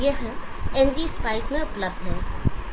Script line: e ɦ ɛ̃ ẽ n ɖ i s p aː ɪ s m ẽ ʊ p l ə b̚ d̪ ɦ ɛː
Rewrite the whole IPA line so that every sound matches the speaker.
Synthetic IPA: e ɦ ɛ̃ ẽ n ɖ i s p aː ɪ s m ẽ ʊ p l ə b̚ d̪ ɦ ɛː